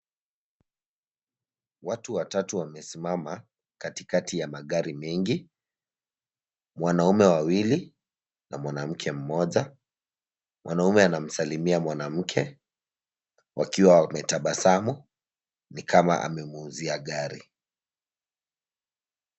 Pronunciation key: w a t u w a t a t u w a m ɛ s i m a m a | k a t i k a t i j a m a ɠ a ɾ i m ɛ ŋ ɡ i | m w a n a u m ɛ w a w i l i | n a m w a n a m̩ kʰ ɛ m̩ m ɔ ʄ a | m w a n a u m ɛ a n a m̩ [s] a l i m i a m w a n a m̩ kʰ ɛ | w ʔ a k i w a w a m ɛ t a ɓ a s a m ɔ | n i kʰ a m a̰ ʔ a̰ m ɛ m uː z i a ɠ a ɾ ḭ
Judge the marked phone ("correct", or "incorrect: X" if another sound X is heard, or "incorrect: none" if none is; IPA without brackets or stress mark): correct